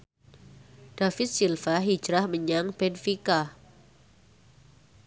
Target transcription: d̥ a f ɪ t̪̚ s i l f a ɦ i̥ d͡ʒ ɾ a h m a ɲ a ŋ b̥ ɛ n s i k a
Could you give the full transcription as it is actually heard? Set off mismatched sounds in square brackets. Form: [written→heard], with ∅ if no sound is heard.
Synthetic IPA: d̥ a f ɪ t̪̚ s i l f a ɦ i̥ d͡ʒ ɾ a h m [a→ə] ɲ a ŋ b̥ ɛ n [s→f] i k a